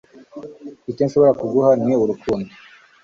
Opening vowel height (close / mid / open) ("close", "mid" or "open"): close